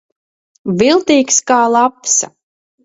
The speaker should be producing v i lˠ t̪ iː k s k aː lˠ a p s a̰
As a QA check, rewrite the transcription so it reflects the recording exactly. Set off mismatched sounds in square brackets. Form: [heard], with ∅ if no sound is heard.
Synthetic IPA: v i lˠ t̪ iː k s k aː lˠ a p s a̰